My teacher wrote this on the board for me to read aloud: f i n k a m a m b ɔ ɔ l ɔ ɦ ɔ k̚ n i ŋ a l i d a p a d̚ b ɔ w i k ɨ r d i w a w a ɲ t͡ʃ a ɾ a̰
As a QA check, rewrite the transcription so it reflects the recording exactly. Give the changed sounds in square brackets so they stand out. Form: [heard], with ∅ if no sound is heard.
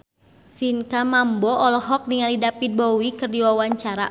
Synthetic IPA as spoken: f i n k a m a m b ɔ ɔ l ɔ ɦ ɔ k̚ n i ŋ a l i d a p [i] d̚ b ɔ w i k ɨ r d i w a w a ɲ t͡ʃ a ɾ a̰